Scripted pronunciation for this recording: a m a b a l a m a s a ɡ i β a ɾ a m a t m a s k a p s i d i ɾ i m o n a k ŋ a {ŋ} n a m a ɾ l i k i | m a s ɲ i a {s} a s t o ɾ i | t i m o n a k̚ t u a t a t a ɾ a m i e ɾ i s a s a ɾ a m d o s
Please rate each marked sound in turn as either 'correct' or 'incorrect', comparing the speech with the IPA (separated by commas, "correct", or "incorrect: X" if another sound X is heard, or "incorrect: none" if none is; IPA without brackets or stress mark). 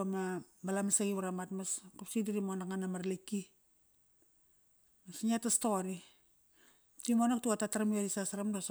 incorrect: none, incorrect: t